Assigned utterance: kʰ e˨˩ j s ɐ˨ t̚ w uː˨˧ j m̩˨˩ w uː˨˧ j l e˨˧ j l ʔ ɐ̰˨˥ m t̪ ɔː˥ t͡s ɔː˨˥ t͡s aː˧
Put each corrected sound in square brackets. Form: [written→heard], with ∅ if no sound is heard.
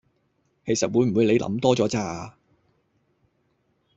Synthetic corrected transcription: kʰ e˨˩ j s ɐ˨ t̚ w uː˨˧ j m̩˨˩ w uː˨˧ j l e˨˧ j l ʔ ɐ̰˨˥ m t̪ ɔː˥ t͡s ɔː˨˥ t͡s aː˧